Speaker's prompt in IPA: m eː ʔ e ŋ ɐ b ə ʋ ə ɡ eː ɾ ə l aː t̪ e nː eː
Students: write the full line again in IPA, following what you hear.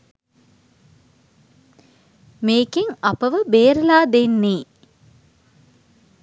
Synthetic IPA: m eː k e ŋ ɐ p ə ʋ ə b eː ɾ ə l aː d̪ e nː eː